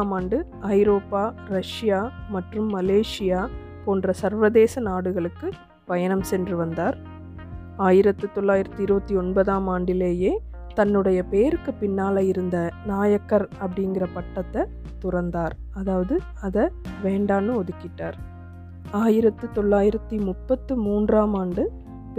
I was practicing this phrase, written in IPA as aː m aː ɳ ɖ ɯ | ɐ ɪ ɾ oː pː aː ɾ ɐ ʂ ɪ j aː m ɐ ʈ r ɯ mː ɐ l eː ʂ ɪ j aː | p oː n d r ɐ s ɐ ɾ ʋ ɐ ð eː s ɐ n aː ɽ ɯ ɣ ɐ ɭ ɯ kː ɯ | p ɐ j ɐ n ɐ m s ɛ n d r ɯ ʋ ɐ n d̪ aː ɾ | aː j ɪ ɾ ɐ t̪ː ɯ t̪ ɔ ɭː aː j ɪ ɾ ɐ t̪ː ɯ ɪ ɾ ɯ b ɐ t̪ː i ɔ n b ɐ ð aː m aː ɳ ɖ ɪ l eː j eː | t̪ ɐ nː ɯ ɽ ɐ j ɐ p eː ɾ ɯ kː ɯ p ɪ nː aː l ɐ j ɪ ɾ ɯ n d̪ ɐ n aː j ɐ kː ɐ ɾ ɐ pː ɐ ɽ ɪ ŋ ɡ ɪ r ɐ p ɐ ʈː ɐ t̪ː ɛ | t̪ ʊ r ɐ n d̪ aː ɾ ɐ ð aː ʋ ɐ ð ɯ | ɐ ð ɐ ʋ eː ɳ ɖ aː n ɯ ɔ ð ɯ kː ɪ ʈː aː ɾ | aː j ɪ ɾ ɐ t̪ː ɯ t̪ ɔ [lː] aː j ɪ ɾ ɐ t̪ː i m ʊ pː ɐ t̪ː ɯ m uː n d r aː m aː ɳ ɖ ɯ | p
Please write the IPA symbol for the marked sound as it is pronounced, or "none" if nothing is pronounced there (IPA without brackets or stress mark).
ɭː